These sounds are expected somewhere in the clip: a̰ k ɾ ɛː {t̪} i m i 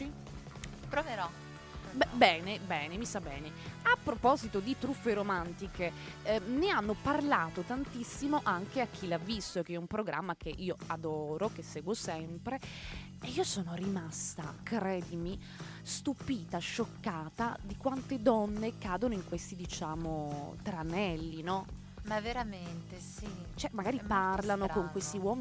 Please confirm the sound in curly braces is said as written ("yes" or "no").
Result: no